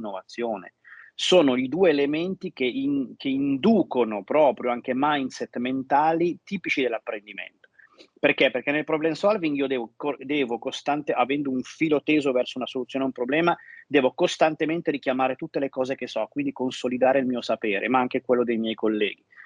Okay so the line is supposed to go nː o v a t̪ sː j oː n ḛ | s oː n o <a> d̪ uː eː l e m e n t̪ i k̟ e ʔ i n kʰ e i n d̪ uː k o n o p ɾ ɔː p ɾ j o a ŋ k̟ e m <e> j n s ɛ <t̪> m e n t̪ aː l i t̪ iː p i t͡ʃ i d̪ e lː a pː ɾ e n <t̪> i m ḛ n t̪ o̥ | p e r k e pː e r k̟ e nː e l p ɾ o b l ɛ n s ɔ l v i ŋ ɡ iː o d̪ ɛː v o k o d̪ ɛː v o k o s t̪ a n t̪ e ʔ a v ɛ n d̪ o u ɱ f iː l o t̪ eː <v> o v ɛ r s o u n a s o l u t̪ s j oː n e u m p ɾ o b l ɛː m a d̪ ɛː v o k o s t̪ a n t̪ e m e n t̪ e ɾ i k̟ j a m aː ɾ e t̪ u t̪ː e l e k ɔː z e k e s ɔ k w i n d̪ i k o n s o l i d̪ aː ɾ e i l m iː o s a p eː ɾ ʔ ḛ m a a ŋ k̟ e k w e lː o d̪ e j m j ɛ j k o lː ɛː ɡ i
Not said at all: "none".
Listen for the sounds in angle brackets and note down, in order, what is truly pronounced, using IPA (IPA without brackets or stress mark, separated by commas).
i, a, t̪, d̪, z